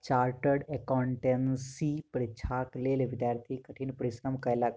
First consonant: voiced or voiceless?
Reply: voiceless